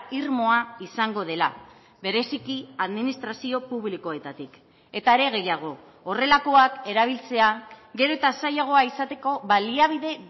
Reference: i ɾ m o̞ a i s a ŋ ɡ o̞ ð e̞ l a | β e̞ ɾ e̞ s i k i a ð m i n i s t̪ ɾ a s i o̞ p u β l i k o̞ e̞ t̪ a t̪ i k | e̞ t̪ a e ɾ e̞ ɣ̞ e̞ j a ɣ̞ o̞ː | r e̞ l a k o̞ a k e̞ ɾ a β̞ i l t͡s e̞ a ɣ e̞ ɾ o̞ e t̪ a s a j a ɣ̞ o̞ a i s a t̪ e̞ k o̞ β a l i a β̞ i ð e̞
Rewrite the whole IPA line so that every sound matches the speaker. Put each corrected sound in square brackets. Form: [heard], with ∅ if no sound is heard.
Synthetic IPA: i ɾ m o̞ a i s a ŋ ɡ o̞ ð e̞ l a | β e̞ ɾ e̞ s i k i a ð m i n i s t̪ ɾ a s i o̞ p u β l i k o̞ e̞ t̪ a t̪ i k | e̞ t̪ a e ɾ e̞ ɣ̞ e̞ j a ɣ̞ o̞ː | r e̞ l a k o̞ a k e̞ ɾ a β̞ i l t͡s e̞ a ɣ e̞ ɾ o̞ e t̪ a s a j a ɣ̞ o̞ a i s a t̪ e̞ k o̞ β a l i a β̞ i ð e̞